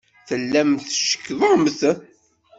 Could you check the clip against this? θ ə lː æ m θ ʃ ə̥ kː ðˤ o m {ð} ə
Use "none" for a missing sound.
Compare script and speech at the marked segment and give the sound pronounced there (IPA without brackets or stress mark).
θ